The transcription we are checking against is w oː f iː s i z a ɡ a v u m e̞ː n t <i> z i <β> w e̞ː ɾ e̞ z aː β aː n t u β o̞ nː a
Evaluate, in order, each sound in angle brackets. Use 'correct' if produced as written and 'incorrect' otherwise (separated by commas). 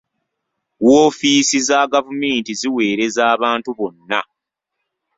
correct, incorrect